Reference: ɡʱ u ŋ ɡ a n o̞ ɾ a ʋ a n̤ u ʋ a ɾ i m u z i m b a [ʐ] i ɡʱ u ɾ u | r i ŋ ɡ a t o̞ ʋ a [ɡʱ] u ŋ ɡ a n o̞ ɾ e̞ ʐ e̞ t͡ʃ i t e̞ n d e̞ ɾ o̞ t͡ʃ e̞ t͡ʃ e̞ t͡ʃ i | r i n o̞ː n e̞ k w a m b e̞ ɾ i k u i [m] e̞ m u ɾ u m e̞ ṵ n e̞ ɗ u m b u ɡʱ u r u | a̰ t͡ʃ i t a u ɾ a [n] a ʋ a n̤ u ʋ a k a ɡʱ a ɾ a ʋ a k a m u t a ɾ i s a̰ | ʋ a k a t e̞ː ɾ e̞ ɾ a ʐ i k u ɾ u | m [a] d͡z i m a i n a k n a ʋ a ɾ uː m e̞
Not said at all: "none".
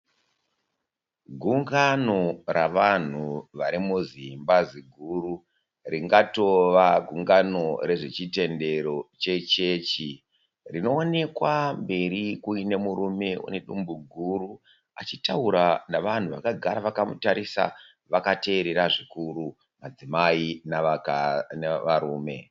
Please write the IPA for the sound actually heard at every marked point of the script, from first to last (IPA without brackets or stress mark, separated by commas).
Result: z, ɡʱ, n, n, a